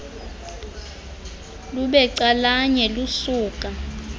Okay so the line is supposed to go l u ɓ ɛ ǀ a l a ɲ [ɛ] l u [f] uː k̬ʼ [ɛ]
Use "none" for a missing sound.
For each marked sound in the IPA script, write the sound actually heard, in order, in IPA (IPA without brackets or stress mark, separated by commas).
ɛ, s, a